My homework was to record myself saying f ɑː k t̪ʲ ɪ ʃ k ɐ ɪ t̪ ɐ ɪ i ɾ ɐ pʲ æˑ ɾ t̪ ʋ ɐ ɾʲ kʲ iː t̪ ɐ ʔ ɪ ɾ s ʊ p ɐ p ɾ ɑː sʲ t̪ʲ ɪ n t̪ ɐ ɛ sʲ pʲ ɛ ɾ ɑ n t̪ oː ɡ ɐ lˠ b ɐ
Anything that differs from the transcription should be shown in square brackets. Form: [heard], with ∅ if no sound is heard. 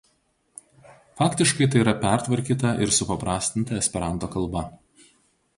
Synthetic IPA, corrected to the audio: f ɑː k t̪ʲ ɪ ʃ k ɐ ɪ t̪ ɐ ɪ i ɾ ɐ pʲ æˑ ɾ t̪ ʋ ɐ ɾʲ kʲ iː t̪ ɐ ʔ ɪ ɾ s ʊ p ɐ p ɾ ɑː sʲ t̪ʲ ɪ n t̪ ɐ ɛ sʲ pʲ ɛ ɾ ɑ n t̪ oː [k] ɐ lˠ b ɐ